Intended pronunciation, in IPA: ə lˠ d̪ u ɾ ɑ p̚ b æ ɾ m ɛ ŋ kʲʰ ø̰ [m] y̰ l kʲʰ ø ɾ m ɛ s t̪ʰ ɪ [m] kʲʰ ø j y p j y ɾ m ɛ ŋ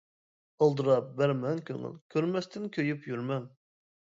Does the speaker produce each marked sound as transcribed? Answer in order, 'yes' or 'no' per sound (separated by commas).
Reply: no, no